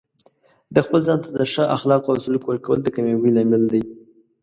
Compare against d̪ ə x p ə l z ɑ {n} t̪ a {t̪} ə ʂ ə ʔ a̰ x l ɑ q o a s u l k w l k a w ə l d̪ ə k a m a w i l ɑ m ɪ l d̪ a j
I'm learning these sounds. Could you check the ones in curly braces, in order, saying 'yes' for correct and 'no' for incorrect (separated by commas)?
yes, no